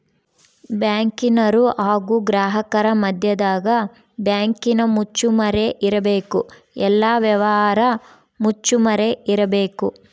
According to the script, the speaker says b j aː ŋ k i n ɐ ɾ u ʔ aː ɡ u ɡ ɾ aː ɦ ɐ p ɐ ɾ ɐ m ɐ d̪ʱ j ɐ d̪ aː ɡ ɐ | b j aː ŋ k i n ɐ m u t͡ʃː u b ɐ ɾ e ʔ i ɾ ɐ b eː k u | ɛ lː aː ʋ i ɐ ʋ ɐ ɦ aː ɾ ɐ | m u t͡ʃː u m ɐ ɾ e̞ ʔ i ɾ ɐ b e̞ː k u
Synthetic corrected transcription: b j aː ŋ k i n ɐ ɾ u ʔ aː ɡ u ɡ ɾ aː ɦ ɐ k ɐ ɾ ɐ m ɐ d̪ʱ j ɐ d̪ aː ɡ ɐ | b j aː ŋ k i n ɐ m u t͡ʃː u m ɐ ɾ e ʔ i ɾ ɐ b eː k u | ɛ lː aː ʋ j ɐ ʋ ɐ ɦ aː ɾ ɐ | m u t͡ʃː u m ɐ ɾ e̞ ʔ i ɾ ɐ b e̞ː k u